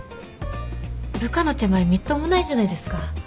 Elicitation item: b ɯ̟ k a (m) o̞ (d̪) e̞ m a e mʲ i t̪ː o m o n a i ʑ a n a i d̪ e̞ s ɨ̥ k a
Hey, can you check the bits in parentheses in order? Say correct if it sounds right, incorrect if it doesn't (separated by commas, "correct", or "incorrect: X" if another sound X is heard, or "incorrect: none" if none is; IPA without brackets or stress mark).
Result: incorrect: n, incorrect: t̪